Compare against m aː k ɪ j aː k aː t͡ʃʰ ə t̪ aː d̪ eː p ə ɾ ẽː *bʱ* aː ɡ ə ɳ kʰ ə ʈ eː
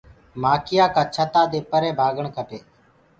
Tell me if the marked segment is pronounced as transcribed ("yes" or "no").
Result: yes